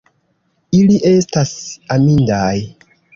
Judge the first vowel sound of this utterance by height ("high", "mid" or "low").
high